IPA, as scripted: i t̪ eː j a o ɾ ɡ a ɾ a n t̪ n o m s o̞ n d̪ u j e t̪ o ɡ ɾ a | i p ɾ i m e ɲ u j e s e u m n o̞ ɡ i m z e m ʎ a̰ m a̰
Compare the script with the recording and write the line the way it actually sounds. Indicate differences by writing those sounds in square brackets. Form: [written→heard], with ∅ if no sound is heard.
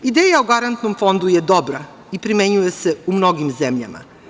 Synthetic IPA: i [t̪→d̪] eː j a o [ɾ→∅] ɡ a ɾ a n t̪ n o m [s→f] o̞ n d̪ u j e [t̪→d̪] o [ɡ→b] ɾ a | i p ɾ i m e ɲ u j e s e u m n o̞ ɡ i m z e m ʎ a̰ m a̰